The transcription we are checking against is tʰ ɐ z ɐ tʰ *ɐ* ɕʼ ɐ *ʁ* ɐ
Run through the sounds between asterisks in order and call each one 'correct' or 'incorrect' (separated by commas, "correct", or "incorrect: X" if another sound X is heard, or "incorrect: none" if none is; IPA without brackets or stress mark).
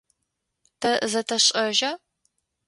correct, incorrect: ʒ